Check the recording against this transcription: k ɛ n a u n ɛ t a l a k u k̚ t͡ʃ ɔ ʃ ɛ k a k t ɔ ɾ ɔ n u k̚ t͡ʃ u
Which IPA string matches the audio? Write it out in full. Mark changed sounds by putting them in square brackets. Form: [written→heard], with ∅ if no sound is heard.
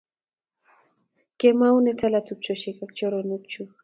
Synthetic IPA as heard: k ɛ [n→m] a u n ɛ t a l a [k→t] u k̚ t͡ʃ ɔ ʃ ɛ k a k [t→t͡ʃ] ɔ ɾ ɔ n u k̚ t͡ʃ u